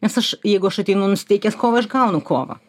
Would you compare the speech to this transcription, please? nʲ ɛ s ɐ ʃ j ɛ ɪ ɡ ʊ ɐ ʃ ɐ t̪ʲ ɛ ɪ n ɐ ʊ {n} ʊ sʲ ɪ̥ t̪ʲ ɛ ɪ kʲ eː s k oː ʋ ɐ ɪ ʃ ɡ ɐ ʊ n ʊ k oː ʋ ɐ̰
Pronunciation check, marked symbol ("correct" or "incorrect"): correct